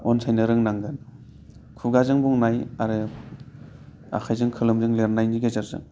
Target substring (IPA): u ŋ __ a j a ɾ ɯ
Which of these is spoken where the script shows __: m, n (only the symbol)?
n